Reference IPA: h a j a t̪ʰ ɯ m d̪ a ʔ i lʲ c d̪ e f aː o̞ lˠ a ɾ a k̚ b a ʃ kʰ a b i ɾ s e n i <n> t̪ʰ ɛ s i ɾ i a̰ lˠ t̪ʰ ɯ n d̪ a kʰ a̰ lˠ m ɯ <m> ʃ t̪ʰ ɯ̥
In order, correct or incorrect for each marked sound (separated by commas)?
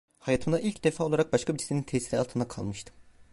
correct, incorrect